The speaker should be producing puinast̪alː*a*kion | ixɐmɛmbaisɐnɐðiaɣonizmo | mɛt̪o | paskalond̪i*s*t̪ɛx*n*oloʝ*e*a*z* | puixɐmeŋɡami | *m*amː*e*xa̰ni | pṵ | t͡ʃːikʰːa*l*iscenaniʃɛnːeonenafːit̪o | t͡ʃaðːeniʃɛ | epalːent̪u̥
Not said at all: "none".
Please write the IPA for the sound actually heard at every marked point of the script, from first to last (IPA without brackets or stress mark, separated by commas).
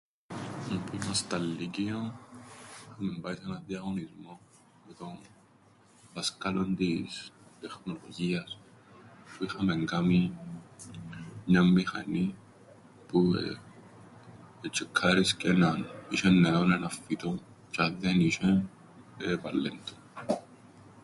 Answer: i, s, n, i, s, ɲ, i, ɾ